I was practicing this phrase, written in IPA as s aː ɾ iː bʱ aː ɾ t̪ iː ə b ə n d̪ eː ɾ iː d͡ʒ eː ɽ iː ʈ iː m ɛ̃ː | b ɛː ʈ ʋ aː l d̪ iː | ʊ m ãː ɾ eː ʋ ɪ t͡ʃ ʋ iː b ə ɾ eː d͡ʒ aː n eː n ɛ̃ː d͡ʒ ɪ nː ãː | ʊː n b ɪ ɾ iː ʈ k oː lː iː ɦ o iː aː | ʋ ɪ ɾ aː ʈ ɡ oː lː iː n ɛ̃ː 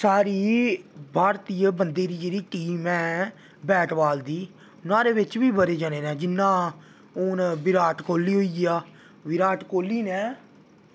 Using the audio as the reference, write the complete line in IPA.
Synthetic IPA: s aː ɾ iː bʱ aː ɾ t̪ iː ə b ə n d̪ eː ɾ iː d͡ʒ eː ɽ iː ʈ iː m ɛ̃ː | b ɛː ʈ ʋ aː l d̪ iː | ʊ n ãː ɾ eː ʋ ɪ t͡ʃ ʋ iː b ə ɾ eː d͡ʒ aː n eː n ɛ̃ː d͡ʒ ɪ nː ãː | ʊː n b ɪ ɾ aː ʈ k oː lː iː ɦ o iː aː | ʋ ɪ ɾ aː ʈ k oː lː iː n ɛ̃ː